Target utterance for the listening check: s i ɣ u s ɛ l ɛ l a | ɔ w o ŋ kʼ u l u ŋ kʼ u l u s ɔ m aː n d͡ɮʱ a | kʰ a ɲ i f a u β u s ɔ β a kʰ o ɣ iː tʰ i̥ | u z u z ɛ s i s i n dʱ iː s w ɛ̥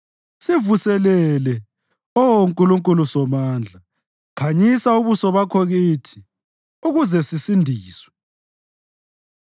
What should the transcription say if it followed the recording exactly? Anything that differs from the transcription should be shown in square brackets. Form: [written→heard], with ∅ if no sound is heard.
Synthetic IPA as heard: s i [ɣ→v] u s ɛ l ɛ l [a→ɛ] | ɔ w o ŋ kʼ u l u ŋ kʼ u l u s ɔ m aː n d͡ɮʱ a | kʰ a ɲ i [f→s] a u β u s ɔ β a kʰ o ɣ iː tʰ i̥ | u [z→ɣ] u z ɛ s i s i n dʱ iː s w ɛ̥